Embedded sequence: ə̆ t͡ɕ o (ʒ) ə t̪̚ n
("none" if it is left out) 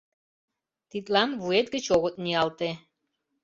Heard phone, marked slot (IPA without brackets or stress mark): ɣ